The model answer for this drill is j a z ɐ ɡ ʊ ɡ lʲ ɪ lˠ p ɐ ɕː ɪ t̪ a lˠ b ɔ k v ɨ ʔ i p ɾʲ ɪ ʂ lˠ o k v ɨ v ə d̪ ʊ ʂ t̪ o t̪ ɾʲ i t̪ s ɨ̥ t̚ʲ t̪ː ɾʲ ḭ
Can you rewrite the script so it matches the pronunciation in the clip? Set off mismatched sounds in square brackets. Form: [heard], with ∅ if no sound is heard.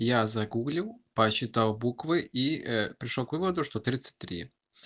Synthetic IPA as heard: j a z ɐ ɡ [u] ɡ lʲ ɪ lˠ p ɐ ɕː ɪ t̪ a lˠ b [u] k v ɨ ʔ i p ɾʲ ɪ ʂ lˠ o k v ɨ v ə d̪ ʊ ʂ t̪ o t̪ ɾʲ i t̪ s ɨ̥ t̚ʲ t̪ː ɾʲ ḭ